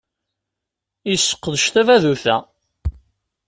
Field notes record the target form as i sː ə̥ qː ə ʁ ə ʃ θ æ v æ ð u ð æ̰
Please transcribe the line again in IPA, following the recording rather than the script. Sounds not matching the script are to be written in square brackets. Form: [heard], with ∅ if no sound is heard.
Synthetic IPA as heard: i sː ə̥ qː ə [ð] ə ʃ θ æ v æ ð u [θ] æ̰

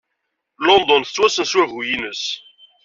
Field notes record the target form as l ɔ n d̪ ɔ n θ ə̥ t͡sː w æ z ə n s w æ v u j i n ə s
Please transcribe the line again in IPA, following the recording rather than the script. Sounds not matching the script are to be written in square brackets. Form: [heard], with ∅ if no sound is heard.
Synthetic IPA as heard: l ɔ n d̪ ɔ n θ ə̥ t͡sː w æ [s] ə n s w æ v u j i n ə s

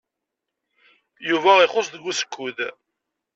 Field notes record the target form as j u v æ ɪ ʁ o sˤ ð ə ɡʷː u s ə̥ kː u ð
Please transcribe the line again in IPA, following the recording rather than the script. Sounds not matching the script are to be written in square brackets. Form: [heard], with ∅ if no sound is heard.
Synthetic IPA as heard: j u v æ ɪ [χ] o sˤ ð ə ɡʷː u s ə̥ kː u ð

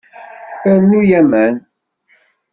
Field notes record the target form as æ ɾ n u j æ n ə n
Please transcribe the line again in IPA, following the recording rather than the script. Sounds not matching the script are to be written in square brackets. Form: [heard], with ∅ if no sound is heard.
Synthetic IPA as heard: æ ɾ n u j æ [m] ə n

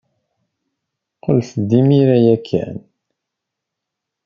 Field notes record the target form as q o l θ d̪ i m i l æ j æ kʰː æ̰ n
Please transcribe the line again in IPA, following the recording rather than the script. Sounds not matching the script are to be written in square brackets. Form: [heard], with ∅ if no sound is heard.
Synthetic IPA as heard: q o l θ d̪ i m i [ɾ] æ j æ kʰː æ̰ n

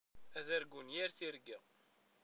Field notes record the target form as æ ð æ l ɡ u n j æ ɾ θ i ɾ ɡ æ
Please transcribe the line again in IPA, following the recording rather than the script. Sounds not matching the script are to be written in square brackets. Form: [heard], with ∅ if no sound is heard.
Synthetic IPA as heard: æ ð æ [ɾ] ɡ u n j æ ɾ θ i ɾ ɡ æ

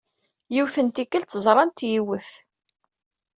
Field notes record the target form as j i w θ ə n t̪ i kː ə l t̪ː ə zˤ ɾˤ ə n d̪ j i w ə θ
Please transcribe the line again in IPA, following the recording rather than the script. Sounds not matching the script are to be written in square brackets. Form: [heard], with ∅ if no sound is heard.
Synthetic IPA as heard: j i w θ ə n t̪ i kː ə l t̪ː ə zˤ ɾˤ [ɑ] n [t̪] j i w ə θ

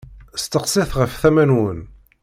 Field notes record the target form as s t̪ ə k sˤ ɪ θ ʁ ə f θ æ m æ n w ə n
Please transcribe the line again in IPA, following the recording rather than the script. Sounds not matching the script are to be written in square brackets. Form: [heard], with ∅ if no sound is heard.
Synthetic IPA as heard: s t̪ ə [q] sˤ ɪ θ ʁ ə f θ æ m æ n w ə n

